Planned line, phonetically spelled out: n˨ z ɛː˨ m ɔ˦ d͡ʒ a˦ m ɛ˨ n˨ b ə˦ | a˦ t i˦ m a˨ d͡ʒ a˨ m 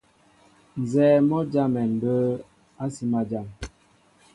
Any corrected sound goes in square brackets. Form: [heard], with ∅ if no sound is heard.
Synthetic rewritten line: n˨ z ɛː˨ m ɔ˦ d͡ʒ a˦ m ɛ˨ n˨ b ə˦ | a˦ [s] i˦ m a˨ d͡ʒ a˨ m